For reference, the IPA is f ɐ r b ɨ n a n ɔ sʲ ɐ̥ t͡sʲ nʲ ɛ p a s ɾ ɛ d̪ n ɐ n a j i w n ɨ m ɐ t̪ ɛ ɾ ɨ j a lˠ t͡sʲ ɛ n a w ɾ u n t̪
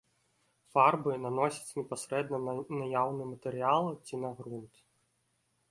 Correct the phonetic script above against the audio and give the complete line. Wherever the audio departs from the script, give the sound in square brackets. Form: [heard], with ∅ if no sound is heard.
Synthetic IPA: f [a] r b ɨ n a n ɔ sʲ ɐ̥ t͡sʲ nʲ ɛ p a s ɾ ɛ d̪ n ɐ n a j [a] w n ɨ m ɐ t̪ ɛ ɾ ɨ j a lˠ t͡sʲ [i] n a [ɣ] ɾ u n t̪